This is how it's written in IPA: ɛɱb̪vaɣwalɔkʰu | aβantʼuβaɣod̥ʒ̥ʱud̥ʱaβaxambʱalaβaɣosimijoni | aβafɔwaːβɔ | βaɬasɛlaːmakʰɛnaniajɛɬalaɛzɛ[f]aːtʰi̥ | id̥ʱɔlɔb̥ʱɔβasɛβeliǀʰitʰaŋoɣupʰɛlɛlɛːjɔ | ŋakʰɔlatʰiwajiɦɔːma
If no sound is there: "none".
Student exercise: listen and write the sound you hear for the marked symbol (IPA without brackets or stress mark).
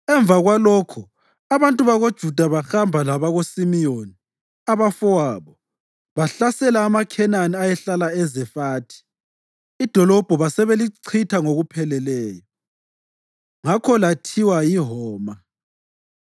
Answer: f